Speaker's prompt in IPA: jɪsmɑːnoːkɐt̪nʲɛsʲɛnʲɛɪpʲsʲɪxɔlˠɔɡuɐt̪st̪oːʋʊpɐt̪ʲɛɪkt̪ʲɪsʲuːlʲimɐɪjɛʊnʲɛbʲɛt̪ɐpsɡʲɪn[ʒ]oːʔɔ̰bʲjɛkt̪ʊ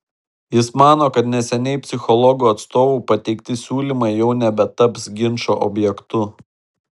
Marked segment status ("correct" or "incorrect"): incorrect